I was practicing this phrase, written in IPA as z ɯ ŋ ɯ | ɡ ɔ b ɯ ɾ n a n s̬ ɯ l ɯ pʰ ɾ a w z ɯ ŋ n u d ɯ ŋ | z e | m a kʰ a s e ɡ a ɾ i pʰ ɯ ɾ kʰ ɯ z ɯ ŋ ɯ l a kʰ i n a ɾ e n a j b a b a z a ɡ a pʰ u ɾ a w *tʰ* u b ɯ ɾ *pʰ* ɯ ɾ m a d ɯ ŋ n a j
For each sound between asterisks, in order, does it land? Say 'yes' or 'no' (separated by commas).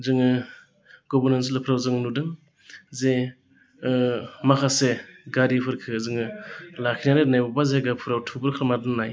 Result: yes, no